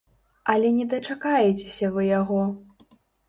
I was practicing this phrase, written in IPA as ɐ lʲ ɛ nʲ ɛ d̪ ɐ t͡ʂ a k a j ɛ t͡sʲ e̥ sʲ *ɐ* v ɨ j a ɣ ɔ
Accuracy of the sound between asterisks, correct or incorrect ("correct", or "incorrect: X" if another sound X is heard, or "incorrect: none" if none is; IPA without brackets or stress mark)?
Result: correct